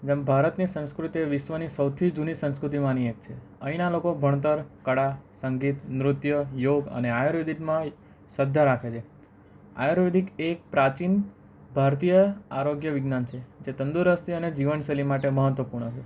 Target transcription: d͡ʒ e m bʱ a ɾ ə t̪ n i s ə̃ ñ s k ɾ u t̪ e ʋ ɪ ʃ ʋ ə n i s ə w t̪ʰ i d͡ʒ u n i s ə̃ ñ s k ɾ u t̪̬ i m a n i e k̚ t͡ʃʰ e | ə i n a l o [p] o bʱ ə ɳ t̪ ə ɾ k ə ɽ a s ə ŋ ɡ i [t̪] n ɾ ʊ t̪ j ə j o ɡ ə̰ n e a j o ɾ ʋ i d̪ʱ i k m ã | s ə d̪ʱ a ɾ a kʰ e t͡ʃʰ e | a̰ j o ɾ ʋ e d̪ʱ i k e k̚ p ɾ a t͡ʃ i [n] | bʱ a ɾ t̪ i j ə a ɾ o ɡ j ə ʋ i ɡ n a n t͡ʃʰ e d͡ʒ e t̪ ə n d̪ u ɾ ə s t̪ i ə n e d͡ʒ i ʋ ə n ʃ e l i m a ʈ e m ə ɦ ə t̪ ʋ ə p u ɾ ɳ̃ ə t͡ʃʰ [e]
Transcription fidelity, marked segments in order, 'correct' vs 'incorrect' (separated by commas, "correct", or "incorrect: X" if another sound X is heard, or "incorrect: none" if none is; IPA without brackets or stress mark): incorrect: k, correct, correct, correct